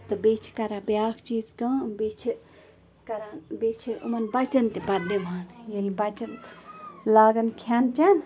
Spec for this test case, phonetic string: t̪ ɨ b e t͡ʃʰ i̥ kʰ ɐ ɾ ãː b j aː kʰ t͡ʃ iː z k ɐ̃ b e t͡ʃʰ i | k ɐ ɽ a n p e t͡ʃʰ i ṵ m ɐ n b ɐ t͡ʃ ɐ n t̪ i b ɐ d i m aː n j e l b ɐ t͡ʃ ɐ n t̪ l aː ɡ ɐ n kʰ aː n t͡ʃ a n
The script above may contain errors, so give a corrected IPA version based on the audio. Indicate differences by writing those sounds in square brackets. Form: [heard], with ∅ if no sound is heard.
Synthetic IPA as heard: t̪ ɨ b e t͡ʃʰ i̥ [k] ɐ ɾ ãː b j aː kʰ t͡ʃ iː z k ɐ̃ b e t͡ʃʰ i | k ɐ [ɾ] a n [b] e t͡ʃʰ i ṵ m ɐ n b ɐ t͡ʃ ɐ n t̪ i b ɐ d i m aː n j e l b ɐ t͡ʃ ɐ n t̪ l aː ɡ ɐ n kʰ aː n t͡ʃ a n

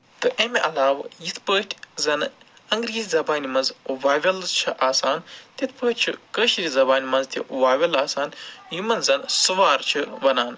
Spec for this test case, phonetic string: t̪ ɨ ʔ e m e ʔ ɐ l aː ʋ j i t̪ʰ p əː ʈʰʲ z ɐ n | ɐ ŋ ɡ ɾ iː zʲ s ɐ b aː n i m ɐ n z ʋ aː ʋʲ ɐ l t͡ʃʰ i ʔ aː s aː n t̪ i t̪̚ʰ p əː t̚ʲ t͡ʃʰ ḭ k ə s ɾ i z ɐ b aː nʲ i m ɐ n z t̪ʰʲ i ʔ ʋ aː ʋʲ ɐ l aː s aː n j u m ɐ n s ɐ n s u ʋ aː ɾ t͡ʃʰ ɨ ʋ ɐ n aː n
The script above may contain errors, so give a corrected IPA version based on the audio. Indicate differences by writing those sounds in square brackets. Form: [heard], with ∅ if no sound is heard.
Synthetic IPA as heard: t̪ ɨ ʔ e m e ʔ ɐ l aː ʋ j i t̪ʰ p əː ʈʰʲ z ɐ n | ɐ ŋ ɡ ɾ iː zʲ [z] ɐ b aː n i m ɐ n z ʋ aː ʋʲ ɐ l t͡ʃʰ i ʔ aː s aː n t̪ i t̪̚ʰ p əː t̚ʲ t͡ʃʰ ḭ k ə [ʃ] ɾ i z ɐ b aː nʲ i m ɐ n z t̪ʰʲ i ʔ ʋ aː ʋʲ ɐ l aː s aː n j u m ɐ n [z] ɐ n s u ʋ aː ɾ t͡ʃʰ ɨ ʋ ɐ n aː n

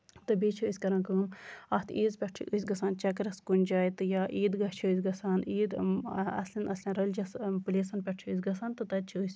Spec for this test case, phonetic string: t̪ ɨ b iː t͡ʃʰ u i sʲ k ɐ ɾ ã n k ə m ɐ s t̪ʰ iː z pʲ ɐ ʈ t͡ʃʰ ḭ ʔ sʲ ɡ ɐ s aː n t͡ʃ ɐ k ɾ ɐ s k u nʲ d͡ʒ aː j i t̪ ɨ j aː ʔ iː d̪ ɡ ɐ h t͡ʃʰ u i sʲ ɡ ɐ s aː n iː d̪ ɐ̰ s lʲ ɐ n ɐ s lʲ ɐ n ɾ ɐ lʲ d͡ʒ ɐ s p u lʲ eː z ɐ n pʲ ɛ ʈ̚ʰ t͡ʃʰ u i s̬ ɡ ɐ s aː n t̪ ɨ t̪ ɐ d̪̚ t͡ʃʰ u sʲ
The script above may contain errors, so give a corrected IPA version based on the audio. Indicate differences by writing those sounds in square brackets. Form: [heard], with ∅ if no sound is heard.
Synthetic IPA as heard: t̪ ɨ b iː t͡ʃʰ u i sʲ k ɐ ɾ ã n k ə m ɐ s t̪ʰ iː z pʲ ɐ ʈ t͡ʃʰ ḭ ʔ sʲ ɡ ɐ s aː n t͡ʃ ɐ k ɾ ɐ s k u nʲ d͡ʒ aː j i t̪ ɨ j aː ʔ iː d̪ ɡ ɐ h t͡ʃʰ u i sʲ ɡ ɐ s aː n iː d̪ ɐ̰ s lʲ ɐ n ɐ s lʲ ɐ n ɾ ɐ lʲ d͡ʒ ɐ s p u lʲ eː [s] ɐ n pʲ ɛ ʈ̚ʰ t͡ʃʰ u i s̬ ɡ ɐ s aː n t̪ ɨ t̪ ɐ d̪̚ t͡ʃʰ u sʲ

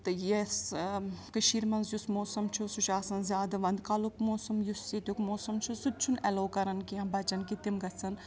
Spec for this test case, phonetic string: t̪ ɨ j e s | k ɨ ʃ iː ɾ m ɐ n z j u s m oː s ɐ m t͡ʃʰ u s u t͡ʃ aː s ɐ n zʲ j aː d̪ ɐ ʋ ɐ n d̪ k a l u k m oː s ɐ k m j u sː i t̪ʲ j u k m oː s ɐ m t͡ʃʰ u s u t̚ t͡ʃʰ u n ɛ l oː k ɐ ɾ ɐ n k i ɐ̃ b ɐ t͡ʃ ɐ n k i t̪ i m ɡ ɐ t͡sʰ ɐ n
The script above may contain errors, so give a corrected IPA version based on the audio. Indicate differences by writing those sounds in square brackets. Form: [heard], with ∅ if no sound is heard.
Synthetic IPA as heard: t̪ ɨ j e s | k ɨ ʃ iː ɾ m ɐ n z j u s m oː s ɐ m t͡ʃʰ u s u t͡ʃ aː s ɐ n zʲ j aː d̪ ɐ ʋ ɐ n d̪ k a l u k m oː s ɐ [∅] m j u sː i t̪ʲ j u k m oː s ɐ m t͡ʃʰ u s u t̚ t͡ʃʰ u n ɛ l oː k ɐ ɾ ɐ n k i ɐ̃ b ɐ t͡ʃ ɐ n k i t̪ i m ɡ ɐ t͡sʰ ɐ n

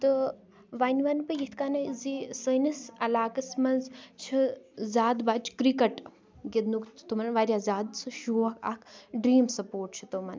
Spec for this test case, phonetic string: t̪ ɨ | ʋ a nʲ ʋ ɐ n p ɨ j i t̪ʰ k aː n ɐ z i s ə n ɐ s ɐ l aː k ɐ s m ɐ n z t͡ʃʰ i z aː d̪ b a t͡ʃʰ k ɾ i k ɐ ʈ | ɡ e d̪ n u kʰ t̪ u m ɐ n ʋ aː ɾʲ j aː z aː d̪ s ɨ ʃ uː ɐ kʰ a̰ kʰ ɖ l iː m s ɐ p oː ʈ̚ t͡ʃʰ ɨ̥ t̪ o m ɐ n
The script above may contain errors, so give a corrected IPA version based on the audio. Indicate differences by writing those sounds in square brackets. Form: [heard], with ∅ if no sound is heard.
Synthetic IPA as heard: t̪ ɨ | ʋ a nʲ ʋ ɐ n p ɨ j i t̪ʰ k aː n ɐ z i s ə n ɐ s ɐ l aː k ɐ s m ɐ n z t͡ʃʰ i z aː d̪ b a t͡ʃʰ k ɾ i k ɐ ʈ | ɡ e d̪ n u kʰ t̪ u m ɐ n ʋ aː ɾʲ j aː z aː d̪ s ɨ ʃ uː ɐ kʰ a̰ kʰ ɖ [ɾ] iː m s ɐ p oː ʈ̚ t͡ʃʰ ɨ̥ t̪ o m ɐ n

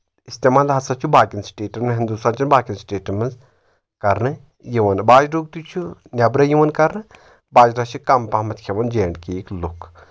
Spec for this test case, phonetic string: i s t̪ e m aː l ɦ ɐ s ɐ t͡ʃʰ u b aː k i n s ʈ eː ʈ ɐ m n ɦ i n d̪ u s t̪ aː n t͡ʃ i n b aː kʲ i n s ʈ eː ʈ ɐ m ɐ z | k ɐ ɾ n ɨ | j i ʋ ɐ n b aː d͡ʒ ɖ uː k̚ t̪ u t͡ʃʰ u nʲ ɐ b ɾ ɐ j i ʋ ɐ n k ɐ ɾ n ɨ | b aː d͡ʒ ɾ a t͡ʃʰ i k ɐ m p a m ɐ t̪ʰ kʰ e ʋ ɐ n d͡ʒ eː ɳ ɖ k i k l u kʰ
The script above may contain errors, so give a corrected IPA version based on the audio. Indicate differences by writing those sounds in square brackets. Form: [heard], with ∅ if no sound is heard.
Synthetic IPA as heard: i s t̪ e m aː l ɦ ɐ s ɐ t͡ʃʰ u b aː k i n s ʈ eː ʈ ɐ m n ɦ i n d̪ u s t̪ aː n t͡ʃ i n b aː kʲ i n s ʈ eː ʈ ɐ m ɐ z | k ɐ ɾ n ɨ | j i ʋ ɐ n b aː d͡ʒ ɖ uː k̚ t̪ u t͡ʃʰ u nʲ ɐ b ɾ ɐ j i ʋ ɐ n k ɐ ɾ n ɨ | b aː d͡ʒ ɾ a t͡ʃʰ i k ɐ m p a m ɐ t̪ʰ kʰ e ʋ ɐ n d͡ʒ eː ɳ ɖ k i k l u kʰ

